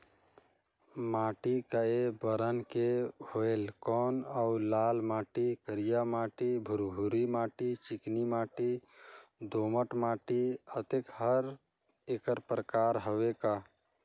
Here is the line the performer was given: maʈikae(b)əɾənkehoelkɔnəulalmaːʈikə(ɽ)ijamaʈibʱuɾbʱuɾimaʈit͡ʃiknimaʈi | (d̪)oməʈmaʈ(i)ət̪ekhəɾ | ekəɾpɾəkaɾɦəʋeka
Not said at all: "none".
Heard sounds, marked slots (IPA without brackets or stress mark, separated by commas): b, ɾ, d̪, i